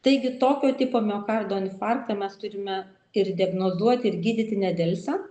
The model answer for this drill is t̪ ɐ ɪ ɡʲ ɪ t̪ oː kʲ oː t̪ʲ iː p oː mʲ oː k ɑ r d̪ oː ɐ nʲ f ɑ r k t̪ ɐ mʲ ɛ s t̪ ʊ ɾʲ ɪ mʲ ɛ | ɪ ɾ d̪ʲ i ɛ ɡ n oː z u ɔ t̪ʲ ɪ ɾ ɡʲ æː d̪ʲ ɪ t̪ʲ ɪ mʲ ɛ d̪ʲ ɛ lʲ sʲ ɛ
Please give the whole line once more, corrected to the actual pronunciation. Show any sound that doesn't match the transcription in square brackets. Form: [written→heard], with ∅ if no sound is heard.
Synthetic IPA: t̪ ɐ ɪ ɡʲ ɪ t̪ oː kʲ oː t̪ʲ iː p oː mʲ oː k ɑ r d̪ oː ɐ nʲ f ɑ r k t̪ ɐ mʲ ɛ s t̪ ʊ ɾʲ ɪ mʲ ɛ | ɪ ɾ d̪ʲ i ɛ ɡ n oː z u ɔ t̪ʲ ɪ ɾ ɡʲ [æː→iː] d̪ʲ ɪ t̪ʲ ɪ [mʲ→nʲ] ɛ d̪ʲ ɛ lʲ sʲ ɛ